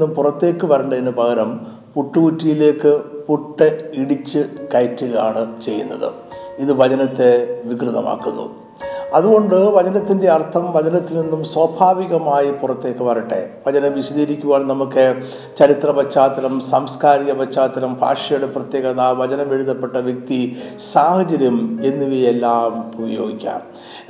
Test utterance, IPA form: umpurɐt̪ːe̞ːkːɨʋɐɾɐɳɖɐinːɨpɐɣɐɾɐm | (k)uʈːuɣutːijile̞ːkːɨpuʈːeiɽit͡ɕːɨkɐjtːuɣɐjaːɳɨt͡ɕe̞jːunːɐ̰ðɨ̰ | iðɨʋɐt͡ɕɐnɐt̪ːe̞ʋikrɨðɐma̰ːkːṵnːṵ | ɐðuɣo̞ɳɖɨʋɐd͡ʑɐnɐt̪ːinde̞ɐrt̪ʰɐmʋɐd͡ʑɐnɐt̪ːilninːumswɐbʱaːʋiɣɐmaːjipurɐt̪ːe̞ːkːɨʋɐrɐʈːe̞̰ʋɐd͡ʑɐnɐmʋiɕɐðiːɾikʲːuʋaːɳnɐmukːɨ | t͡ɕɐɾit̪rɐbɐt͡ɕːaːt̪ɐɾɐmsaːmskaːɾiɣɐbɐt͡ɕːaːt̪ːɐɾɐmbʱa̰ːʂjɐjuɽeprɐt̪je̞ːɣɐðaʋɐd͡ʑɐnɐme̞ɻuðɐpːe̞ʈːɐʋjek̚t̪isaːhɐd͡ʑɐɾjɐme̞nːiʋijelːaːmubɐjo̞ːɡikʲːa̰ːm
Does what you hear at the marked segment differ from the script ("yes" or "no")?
yes